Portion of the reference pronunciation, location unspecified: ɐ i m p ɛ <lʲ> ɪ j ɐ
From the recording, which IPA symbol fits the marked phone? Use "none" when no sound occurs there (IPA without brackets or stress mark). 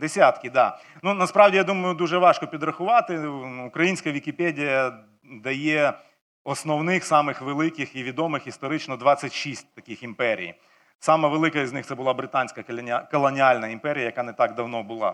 ɾʲ